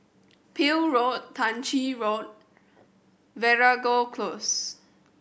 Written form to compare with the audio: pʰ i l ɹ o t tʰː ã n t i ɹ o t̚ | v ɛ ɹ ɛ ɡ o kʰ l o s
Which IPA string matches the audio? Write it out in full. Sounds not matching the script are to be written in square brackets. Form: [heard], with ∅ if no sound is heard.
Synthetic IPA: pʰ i l ɹ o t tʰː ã n [t͡ʃ] i ɹ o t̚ | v ɛ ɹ [a] ɡ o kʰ l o s

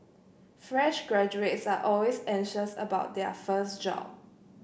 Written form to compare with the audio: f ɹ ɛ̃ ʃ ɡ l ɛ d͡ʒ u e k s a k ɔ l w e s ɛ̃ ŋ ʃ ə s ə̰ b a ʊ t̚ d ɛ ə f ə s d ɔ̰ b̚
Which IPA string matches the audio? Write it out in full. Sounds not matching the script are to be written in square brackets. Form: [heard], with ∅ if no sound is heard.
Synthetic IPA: f ɹ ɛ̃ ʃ ɡ [ɹ] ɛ d͡ʒ u e [t] s a [ʔ] ɔ l w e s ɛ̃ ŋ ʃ ə s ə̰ b a ʊ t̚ d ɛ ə f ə s [d͡ʒ] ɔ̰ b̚

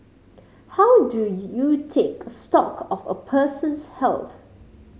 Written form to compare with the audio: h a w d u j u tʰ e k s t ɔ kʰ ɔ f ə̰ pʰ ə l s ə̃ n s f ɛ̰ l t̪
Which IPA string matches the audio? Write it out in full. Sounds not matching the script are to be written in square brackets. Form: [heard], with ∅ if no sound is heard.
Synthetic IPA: h a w d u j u tʰ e k s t ɔ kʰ ɔ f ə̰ pʰ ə [∅] s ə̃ n s [h] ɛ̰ l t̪

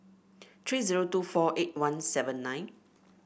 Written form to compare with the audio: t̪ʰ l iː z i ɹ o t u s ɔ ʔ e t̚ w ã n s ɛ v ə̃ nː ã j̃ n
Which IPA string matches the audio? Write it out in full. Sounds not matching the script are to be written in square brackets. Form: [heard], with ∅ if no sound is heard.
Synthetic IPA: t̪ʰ [ɹ] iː z i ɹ o t u [f] ɔ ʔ e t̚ w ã n s ɛ v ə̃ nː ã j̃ n

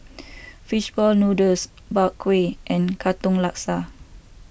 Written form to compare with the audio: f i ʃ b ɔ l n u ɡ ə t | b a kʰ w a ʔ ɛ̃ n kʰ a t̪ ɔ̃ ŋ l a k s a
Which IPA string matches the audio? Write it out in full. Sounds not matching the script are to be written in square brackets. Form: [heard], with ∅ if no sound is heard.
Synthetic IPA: f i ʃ b ɔ l n u [d] ə [s] | b a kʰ w [e] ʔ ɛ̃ n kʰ a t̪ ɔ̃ ŋ l a k s a

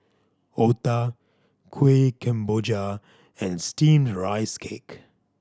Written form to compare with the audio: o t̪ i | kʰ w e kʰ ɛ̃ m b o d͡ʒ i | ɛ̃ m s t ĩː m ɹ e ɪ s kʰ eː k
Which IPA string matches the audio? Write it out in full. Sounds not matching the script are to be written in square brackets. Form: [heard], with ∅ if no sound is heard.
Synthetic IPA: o t̪ [a] | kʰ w e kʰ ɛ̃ m b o d͡ʒ [a] | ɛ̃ [n] s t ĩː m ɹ [a] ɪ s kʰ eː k

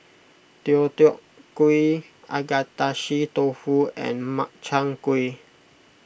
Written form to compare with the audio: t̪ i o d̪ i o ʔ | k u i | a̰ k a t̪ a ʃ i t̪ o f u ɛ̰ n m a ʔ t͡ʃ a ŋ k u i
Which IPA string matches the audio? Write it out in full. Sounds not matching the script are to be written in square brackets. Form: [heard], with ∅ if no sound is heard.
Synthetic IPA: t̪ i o [t̪] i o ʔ | k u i | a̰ [ɡ] a t̪ a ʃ i t̪ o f u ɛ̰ n m a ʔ t͡ʃ a ŋ k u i

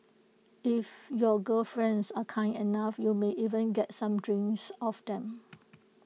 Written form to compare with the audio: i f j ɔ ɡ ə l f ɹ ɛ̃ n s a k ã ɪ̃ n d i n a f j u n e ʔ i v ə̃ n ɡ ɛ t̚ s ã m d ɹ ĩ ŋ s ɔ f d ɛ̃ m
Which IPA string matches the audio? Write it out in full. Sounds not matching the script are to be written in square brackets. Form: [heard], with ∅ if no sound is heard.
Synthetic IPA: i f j ɔ ɡ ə l f ɹ ɛ̃ n s a [kʰ] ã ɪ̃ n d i n a f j u [m] e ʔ i v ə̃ n ɡ ɛ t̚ s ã m d ɹ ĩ ŋ s ɔ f d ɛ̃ m

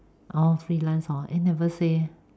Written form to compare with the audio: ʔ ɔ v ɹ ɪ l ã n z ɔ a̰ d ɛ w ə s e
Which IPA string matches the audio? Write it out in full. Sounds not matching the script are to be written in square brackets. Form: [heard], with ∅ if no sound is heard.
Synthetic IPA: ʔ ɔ [f] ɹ [i] l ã n [s] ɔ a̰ [n] ɛ [v] ə s e

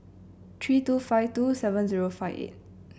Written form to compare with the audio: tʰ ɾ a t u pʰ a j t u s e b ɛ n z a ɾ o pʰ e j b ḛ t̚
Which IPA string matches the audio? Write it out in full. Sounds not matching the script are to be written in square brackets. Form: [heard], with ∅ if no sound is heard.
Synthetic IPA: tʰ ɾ [i] t u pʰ a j t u s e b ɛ n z [i] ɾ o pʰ [a] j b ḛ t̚

